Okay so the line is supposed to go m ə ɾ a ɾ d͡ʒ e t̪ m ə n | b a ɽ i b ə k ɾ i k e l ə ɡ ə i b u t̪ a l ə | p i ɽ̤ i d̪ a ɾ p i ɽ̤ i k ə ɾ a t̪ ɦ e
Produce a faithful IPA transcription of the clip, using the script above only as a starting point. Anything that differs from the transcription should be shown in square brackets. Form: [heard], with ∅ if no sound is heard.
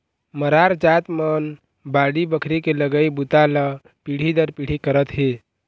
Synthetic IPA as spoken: m ə ɾ a ɾ d͡ʒ [a] t̪ m ə n | b a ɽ i b ə [kʰ] ɾ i k e l ə ɡ ə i b u t̪ a l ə | p i ɽ̤ i d̪ [ə] ɾ p i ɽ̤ i k ə ɾ [ə] t̪ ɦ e